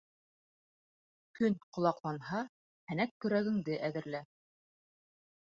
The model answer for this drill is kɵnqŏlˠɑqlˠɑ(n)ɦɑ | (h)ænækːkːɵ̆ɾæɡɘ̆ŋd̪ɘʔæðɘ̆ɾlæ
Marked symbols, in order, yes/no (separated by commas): yes, yes